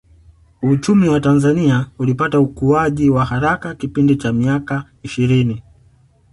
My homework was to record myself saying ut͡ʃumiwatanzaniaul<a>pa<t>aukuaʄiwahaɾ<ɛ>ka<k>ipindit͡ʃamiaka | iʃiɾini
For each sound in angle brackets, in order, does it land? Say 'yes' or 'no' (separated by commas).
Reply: no, yes, no, yes